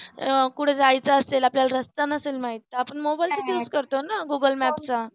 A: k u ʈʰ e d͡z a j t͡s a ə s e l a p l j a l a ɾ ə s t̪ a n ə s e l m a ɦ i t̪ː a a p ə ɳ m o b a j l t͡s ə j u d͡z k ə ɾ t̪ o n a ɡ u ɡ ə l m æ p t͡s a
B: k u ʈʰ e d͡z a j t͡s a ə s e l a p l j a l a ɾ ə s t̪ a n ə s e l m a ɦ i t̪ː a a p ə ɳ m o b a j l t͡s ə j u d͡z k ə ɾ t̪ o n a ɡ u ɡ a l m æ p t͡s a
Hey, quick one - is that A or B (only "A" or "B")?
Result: A